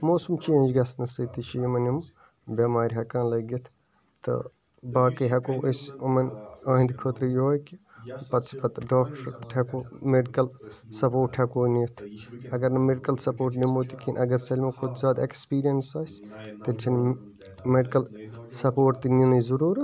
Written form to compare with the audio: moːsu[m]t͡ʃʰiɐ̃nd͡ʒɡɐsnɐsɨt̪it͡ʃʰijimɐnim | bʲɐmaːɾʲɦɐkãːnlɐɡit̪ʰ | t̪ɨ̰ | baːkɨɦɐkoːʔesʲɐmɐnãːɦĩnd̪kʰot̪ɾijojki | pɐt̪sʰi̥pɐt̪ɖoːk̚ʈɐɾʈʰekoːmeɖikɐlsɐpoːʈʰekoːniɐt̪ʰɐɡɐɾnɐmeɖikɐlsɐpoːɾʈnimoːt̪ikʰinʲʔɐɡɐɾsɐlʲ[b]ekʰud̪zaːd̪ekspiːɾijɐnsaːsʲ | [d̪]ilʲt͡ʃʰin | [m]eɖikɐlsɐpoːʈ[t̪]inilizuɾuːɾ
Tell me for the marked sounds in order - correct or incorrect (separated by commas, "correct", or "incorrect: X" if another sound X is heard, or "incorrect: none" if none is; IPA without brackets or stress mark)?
correct, incorrect: m, incorrect: t̪, correct, correct